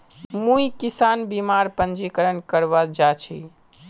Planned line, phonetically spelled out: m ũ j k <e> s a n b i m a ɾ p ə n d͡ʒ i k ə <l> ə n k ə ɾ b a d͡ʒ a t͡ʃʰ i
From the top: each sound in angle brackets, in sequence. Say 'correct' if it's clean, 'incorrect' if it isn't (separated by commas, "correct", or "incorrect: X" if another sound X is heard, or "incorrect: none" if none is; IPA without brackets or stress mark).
incorrect: i, incorrect: ɾ